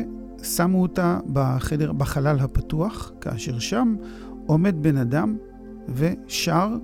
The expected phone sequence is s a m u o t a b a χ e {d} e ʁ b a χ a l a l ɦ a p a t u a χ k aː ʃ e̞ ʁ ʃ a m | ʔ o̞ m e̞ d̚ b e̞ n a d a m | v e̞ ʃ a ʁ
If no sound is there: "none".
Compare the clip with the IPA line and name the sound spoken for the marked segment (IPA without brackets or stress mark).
d